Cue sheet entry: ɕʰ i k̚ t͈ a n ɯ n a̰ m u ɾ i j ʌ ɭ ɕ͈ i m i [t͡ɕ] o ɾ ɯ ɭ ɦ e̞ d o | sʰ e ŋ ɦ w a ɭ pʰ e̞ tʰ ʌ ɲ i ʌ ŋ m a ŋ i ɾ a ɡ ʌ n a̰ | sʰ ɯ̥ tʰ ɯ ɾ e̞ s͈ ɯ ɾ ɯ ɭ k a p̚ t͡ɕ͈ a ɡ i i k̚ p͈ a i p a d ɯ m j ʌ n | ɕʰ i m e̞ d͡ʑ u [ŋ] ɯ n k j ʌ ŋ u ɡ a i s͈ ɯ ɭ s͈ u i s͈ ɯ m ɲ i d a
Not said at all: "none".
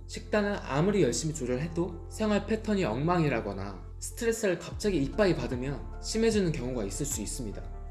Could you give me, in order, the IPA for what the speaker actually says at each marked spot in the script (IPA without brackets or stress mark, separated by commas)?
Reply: t͡ɕ, n